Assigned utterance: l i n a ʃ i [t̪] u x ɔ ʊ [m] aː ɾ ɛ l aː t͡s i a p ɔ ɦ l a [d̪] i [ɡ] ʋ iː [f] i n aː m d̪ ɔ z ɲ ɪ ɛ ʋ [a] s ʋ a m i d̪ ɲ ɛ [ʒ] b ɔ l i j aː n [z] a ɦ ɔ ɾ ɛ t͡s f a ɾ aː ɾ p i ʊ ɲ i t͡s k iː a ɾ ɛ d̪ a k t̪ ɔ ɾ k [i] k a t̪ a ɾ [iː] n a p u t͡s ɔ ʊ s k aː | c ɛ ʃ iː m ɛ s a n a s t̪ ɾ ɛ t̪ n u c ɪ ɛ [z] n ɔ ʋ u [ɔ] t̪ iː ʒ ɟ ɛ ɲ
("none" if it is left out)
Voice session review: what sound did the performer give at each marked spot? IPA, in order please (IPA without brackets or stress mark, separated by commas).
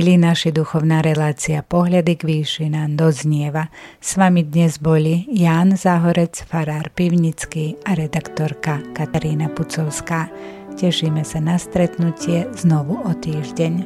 d̪, n, d̪, ɡ, ʃ, a, z, z, a, iː, z, ɔ